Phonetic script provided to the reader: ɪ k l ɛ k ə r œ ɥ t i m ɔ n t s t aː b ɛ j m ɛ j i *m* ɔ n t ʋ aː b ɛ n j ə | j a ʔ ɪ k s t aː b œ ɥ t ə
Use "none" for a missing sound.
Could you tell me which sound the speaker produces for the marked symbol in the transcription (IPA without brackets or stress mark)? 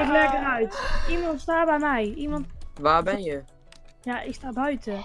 m